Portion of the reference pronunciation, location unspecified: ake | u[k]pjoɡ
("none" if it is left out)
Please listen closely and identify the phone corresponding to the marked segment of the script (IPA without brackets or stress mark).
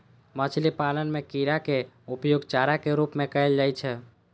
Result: none